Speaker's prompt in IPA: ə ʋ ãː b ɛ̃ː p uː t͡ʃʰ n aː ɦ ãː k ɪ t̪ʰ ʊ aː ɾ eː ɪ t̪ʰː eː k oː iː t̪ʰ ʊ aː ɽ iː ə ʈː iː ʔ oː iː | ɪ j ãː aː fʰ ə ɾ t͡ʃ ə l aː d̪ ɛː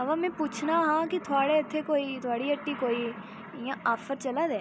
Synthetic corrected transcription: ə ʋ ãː m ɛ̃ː p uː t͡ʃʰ n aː ɦ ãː k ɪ t̪ʰ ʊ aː ɽ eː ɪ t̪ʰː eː k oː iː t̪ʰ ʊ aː ɽ iː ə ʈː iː k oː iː | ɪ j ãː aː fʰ ə ɾ t͡ʃ ə l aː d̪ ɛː